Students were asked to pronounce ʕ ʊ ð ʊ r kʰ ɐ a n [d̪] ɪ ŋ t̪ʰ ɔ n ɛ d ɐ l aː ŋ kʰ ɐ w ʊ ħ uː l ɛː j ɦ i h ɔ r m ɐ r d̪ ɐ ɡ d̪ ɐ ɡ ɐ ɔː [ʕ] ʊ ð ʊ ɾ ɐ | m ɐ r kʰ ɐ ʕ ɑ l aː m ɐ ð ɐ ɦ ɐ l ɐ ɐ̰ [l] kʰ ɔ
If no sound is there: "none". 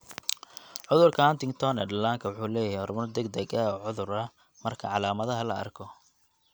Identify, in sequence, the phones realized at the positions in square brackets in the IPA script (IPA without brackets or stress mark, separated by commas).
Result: t̪, ʕ, r